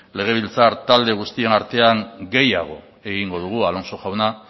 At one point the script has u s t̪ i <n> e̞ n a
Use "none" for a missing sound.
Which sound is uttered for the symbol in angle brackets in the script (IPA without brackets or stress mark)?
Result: none